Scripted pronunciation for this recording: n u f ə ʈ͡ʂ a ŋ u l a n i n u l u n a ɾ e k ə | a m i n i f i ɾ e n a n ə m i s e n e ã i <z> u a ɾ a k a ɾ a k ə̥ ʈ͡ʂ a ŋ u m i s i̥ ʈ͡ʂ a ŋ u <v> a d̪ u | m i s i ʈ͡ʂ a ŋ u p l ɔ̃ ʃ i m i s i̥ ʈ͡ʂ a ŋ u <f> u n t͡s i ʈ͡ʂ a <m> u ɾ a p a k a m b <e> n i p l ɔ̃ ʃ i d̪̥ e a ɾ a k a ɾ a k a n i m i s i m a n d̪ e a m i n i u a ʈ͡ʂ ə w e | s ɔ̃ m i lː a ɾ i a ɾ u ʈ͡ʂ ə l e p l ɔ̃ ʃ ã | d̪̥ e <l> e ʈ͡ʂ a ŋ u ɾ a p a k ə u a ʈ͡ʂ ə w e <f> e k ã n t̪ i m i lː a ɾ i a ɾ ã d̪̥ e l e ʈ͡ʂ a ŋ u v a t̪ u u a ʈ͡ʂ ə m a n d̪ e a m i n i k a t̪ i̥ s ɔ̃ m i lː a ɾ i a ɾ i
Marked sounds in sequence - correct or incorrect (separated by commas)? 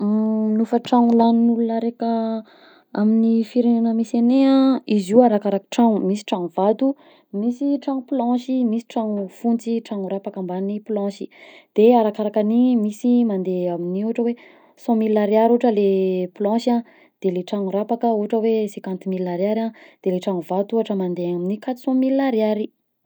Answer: correct, correct, correct, incorrect, incorrect, correct, incorrect